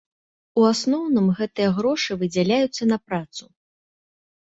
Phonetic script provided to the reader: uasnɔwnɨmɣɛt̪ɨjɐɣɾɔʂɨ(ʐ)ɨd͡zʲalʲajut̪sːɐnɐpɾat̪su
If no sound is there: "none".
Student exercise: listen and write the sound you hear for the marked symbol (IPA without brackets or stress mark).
v